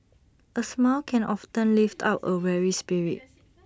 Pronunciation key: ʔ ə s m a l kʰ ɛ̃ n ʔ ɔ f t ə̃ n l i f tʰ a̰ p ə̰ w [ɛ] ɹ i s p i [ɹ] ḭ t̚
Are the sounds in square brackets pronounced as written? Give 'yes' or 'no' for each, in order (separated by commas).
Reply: yes, yes